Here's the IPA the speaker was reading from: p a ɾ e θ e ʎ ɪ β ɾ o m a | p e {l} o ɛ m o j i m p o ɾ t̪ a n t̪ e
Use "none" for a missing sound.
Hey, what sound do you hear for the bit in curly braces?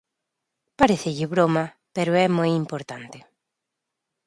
ɾ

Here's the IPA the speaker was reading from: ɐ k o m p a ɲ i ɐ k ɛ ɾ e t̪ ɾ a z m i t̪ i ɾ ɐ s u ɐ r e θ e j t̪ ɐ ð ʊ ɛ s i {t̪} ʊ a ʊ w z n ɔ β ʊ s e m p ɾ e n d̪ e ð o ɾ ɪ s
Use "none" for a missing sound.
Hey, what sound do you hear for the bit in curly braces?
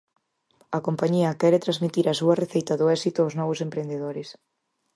t̪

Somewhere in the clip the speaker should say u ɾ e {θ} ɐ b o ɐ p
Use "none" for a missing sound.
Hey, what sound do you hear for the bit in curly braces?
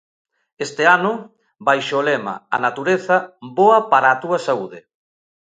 θ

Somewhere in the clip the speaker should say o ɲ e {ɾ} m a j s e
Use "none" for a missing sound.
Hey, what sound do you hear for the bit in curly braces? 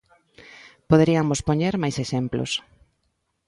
ɾ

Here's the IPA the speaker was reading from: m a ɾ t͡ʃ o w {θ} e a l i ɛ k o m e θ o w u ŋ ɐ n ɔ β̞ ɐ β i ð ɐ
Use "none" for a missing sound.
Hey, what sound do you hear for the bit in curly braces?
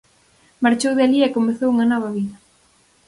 ð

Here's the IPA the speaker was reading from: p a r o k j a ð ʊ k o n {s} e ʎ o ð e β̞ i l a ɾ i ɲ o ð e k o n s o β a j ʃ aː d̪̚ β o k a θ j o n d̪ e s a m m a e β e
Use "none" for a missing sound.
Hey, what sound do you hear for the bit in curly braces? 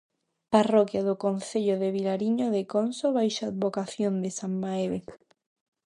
θ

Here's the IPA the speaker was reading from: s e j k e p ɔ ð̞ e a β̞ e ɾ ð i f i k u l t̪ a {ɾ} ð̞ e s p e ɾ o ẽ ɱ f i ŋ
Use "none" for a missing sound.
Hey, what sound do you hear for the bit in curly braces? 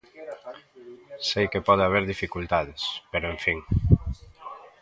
none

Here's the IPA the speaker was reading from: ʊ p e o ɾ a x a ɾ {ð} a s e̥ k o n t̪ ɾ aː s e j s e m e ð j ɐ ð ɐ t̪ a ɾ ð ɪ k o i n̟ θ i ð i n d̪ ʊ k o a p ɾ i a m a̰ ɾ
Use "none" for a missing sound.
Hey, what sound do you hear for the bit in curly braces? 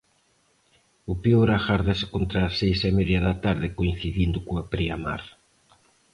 ð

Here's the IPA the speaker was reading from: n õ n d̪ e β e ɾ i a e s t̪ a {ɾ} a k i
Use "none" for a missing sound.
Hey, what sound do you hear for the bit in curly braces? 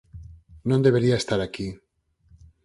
ɾ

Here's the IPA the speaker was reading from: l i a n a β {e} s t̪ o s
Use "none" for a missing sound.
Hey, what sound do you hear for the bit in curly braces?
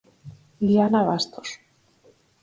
a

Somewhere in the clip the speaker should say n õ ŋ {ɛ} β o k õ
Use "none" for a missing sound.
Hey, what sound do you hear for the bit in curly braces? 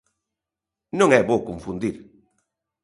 ɛ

